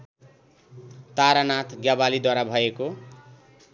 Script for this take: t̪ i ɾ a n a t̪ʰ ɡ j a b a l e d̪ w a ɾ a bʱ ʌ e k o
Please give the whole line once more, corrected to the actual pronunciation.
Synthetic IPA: t̪ a ɾ a n a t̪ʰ ɡ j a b a l i d̪ w a ɾ a bʱ ʌ e k o